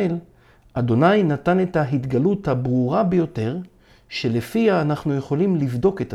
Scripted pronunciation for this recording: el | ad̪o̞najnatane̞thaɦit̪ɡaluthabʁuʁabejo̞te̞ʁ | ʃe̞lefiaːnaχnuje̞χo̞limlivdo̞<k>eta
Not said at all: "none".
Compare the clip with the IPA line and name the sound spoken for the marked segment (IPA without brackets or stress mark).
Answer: k